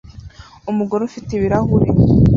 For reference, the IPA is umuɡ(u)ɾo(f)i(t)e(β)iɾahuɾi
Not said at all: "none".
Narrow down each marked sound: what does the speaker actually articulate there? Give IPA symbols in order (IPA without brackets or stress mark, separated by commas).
o, f, t, β